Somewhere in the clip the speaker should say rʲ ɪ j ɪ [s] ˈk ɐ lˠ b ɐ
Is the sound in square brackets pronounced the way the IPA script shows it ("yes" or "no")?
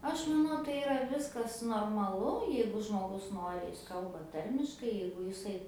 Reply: yes